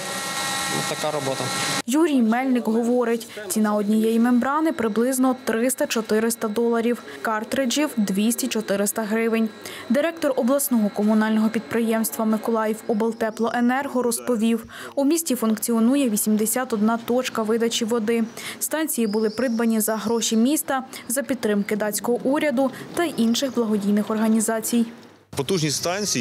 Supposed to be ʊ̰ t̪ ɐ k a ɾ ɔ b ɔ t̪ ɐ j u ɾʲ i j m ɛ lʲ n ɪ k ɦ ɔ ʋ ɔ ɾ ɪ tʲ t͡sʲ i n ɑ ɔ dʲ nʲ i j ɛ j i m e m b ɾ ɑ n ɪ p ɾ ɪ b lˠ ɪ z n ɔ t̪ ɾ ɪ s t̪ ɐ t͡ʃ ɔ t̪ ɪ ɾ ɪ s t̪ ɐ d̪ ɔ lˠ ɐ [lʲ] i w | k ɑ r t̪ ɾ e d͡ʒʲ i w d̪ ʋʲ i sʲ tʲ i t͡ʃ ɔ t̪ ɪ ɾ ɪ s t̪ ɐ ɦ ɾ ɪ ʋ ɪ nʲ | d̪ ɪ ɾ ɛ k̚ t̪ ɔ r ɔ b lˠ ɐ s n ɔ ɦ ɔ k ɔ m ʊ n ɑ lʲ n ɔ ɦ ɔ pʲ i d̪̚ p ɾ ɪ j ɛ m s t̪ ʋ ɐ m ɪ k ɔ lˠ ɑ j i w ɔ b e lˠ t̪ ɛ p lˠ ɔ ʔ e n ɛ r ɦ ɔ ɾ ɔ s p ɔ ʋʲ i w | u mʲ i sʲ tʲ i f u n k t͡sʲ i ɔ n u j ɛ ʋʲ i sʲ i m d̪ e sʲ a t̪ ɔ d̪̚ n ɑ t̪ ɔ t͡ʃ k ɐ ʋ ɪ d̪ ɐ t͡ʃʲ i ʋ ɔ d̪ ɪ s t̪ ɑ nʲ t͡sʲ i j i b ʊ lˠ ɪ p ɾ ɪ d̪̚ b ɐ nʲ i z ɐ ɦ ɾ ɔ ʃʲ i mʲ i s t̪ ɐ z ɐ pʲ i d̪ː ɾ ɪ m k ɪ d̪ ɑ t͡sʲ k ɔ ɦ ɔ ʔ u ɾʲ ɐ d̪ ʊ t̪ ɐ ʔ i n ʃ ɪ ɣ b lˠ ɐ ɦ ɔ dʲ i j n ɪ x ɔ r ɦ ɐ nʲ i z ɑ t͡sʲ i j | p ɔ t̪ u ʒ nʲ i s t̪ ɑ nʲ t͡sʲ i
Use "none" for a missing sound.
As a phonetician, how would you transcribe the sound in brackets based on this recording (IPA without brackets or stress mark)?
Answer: ɾʲ